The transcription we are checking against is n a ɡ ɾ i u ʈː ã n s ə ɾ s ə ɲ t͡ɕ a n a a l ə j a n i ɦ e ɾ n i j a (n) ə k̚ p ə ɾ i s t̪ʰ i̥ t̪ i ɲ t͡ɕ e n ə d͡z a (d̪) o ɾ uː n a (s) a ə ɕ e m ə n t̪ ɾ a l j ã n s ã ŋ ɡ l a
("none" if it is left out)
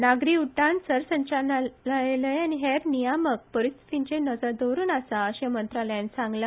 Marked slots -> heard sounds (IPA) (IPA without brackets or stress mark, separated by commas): m, d̪, s